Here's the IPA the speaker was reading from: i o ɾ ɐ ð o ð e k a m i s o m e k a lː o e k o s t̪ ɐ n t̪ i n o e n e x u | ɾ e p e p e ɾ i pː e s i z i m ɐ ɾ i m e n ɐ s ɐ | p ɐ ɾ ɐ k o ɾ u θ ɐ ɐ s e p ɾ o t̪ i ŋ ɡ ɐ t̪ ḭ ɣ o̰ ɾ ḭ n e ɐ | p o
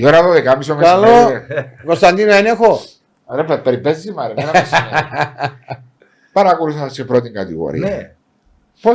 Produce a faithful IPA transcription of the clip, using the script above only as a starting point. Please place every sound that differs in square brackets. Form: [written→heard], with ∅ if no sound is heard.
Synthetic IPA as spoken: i o ɾ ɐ ð o ð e k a m i s o m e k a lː o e k o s t̪ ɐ n [t̪→d̪] i n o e n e x [u→o] | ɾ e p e p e ɾ i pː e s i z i m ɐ ɾ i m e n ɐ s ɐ | p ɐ ɾ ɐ k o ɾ u θ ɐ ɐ s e p ɾ o t̪ i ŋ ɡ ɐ t̪ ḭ ɣ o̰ ɾ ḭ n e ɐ | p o